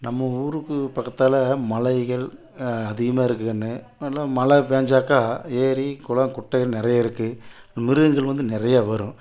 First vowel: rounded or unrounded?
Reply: unrounded